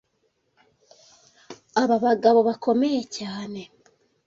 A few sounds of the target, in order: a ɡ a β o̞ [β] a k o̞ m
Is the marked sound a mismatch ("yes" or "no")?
no